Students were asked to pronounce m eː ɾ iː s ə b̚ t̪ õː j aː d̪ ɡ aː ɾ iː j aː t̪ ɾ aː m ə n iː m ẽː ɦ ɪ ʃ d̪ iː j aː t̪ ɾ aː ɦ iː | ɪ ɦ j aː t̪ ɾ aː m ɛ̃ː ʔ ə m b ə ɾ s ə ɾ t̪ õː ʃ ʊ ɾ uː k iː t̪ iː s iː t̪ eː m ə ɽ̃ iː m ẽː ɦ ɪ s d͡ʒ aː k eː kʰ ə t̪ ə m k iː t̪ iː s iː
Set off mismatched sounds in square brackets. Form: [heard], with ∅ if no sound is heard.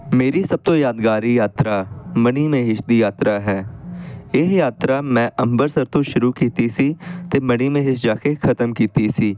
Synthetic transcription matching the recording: m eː ɾ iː s ə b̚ t̪ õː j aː d̪ ɡ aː ɾ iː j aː t̪ ɾ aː m ə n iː m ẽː ɦ ɪ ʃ d̪ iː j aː t̪ ɾ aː ɦ [ɛː] | ɪ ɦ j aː t̪ ɾ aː m ɛ̃ː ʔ ə m b ə ɾ s ə ɾ t̪ õː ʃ ʊ ɾ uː k iː t̪ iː s iː t̪ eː m ə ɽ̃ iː m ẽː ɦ ɪ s d͡ʒ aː k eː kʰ ə t̪ ə m k iː t̪ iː s iː